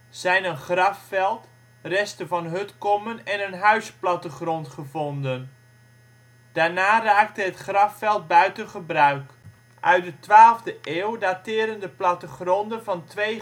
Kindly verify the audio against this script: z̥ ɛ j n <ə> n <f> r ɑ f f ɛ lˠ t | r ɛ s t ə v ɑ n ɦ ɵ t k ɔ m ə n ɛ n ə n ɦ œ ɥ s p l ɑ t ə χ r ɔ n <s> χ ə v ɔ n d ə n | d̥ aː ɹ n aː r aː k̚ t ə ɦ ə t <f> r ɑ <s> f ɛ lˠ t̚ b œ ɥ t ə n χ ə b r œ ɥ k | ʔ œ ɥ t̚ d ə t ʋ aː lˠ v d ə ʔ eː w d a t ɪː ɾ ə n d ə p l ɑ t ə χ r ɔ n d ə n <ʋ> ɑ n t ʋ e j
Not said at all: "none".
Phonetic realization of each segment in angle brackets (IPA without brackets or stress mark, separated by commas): ə, χ, t, χ, f, v